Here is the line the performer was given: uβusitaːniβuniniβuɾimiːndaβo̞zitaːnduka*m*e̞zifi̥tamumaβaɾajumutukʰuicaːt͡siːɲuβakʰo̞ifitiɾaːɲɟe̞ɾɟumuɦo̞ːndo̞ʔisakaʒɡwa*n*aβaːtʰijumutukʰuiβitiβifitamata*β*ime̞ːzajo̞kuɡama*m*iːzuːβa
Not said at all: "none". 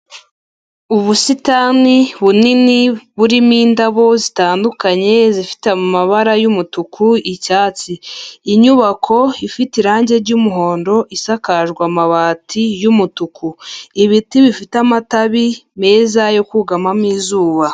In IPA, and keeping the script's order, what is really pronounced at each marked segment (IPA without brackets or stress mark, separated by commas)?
ɲ, m, β, m